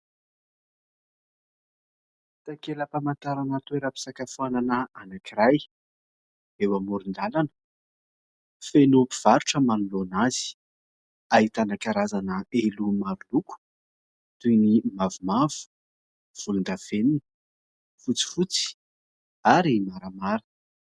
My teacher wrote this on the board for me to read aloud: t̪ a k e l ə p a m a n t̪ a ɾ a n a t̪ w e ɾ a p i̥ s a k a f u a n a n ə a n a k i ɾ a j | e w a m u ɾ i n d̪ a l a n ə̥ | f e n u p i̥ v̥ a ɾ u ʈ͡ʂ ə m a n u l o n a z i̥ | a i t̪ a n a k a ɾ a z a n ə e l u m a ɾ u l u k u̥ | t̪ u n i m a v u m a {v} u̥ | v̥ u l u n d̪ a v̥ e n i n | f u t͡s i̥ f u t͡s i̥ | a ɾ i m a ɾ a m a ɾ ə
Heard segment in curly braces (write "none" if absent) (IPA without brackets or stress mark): v